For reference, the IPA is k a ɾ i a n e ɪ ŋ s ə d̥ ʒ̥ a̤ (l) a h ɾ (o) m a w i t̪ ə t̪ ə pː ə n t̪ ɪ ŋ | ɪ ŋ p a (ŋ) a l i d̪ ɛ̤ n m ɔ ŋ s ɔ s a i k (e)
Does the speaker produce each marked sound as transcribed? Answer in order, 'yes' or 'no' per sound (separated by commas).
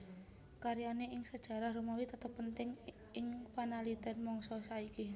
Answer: no, no, no, no